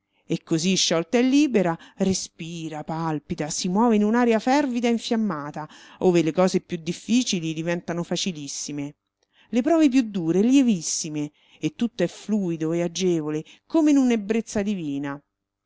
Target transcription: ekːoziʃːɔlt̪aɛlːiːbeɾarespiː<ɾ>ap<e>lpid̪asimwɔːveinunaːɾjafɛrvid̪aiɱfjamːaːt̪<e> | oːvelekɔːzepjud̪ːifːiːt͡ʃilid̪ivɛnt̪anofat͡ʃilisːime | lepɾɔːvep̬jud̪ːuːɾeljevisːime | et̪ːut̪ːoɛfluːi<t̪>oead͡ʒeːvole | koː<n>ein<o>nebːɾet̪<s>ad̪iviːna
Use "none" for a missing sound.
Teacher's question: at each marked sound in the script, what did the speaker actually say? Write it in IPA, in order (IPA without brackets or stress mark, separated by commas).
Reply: ɾ, a, a, d̪, m, u, sː